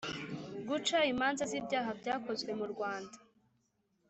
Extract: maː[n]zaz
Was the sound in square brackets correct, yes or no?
yes